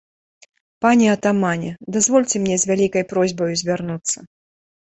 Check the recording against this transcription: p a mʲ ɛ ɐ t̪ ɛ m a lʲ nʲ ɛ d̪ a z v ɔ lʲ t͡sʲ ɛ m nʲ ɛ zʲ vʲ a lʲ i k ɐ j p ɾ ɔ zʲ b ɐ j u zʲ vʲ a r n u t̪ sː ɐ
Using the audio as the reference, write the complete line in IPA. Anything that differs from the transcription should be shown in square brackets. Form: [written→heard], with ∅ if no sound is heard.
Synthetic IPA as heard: p a [mʲ→nʲ] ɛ ɐ t̪ [ɛ→a] m a [lʲ→∅] nʲ ɛ d̪ a z v ɔ lʲ t͡sʲ ɛ m nʲ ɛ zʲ vʲ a lʲ i k ɐ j p ɾ ɔ zʲ b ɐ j u zʲ vʲ a r n u t̪ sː ɐ